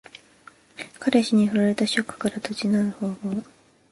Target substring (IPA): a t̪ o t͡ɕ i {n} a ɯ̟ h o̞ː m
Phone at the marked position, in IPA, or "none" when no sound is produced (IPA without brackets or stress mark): n